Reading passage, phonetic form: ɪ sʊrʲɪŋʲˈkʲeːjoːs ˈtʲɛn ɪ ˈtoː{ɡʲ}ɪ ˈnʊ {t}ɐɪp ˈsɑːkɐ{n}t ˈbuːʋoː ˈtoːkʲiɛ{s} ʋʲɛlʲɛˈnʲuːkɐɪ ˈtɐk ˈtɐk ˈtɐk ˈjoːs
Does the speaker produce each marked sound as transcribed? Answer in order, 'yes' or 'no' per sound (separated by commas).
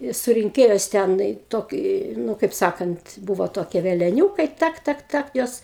no, no, yes, no